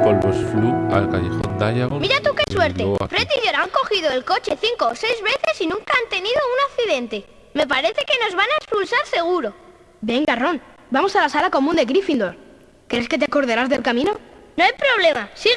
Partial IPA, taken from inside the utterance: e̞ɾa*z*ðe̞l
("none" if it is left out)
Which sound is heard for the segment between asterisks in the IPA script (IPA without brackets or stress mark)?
z